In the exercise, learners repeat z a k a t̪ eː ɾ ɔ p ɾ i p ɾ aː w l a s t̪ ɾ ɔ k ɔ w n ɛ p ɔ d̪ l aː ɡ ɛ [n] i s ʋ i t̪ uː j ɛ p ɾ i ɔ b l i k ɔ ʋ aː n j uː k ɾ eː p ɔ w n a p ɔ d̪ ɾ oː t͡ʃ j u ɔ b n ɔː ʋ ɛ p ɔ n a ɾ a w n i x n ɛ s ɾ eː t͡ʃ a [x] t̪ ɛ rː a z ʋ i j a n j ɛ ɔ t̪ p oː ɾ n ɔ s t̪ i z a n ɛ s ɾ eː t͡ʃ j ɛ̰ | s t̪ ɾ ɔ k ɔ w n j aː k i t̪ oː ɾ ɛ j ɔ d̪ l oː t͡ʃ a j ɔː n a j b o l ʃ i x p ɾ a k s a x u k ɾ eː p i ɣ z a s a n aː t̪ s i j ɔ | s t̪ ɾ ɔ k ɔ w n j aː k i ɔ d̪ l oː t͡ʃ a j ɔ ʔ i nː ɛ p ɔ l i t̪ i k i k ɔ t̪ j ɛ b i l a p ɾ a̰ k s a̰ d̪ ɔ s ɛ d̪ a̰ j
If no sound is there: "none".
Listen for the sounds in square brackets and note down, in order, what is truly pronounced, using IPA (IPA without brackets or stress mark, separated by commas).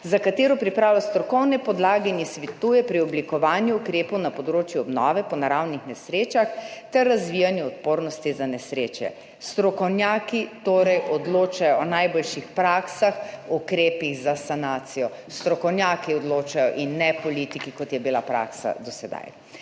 n, x